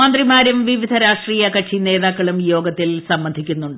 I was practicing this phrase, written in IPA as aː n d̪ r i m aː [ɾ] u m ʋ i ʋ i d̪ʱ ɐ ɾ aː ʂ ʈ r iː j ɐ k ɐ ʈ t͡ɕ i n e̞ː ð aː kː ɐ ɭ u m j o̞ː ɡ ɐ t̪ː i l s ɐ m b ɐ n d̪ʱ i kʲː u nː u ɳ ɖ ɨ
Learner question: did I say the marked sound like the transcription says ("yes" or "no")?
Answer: yes